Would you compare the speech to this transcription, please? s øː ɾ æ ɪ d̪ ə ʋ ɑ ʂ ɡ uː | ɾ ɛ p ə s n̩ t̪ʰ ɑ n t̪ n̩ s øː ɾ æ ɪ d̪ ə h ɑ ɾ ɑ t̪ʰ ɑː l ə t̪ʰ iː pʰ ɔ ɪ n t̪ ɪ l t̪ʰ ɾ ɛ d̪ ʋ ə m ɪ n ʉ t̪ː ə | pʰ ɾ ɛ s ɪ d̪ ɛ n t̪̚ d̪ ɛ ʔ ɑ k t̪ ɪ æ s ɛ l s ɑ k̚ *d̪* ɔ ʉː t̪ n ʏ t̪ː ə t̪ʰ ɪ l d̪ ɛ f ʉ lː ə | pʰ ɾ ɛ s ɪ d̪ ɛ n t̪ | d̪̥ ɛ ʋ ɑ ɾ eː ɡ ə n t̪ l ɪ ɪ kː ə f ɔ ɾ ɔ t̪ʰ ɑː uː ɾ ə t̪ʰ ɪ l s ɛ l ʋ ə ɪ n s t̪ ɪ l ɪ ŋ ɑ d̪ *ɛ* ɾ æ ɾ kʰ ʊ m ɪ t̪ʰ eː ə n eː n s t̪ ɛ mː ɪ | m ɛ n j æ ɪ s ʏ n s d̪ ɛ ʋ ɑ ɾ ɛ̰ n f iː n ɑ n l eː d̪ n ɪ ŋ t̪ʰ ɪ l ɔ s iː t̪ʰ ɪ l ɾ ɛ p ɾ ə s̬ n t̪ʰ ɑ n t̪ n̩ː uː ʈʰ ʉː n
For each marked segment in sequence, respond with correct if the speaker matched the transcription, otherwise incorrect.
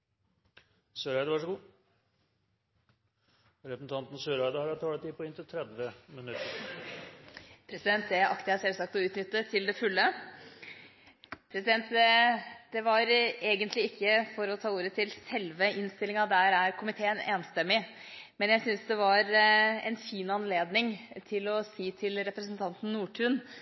incorrect, incorrect

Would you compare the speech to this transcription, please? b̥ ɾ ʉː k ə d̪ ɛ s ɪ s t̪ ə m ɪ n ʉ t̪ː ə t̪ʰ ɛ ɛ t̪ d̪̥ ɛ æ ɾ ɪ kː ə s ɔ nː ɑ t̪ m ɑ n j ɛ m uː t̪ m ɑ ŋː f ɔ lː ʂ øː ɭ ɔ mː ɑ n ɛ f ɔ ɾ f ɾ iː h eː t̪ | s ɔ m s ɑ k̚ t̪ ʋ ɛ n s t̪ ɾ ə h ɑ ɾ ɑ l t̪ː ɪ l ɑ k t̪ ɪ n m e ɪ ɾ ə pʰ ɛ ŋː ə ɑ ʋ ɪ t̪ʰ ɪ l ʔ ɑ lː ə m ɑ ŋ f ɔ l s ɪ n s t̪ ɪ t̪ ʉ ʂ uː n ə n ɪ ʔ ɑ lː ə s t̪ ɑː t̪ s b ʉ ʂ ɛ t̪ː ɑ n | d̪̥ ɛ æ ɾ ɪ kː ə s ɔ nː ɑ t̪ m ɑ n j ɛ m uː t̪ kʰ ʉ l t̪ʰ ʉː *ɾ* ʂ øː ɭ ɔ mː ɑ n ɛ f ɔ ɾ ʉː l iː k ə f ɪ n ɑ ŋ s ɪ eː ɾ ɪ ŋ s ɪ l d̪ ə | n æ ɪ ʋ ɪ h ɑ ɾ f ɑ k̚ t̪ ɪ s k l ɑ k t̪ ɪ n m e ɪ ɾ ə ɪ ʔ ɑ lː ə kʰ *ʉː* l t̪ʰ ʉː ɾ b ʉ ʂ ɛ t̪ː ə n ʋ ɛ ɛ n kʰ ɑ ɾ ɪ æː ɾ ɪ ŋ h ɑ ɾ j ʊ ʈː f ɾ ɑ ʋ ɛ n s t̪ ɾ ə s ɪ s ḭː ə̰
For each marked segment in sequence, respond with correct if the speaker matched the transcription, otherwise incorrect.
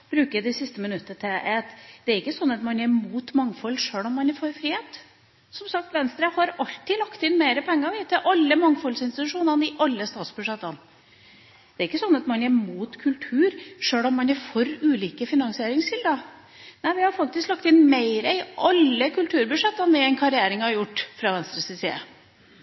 correct, incorrect

